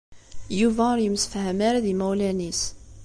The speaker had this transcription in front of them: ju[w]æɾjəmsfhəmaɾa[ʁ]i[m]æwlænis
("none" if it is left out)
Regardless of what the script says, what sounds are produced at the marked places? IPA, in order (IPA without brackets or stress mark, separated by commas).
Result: v, ð, m